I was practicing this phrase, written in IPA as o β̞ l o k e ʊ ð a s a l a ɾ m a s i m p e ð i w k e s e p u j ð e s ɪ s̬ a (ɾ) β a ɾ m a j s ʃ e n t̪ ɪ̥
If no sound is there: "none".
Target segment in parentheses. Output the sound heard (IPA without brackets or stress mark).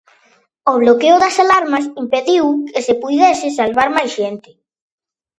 l